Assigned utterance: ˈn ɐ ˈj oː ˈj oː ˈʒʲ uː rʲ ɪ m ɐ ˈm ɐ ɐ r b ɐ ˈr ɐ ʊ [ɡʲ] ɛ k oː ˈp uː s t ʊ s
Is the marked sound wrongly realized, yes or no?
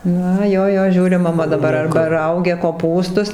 no